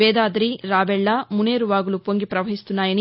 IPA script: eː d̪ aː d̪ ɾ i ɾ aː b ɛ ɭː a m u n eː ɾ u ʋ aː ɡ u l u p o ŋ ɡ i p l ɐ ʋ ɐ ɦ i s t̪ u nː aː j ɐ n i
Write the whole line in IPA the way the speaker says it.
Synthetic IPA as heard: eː d̪ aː d̪ ɾ i ɾ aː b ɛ ɭː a m u n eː ɾ u ʋ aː ɡ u l u p o ŋ ɡ i p ɾ ɐ ʋ ɐ ɦ i s t̪ u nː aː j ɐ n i